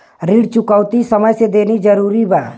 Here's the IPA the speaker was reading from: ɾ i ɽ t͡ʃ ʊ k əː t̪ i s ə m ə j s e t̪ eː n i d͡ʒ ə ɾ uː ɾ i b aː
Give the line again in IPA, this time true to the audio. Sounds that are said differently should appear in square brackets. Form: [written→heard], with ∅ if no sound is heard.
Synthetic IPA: ɾ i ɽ t͡ʃ ʊ k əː t̪ i s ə m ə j s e [t̪→d̪] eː n i d͡ʒ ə ɾ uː ɾ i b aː